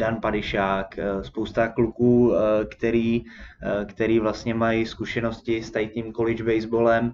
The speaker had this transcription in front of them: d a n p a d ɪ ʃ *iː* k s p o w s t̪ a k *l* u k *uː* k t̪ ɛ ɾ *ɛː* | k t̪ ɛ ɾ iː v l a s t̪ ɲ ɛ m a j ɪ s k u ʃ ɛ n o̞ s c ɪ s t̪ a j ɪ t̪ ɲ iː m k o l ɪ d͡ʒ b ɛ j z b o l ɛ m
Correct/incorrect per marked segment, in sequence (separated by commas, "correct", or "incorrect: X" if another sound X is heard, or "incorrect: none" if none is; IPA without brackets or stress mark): incorrect: aː, correct, correct, incorrect: iː